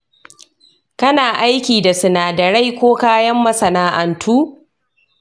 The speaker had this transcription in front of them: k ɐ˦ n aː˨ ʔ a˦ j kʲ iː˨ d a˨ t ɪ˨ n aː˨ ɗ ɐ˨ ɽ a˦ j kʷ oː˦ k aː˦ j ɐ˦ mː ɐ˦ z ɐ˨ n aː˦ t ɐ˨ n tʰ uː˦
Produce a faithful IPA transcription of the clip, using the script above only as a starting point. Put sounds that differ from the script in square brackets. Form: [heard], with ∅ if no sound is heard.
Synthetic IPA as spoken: k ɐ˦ n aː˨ ʔ a˦ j kʲ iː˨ d a˨ [s] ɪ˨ n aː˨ [d] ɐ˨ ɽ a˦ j kʷ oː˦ k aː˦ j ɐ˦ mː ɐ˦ [s] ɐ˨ n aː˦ [ʔ] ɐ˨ n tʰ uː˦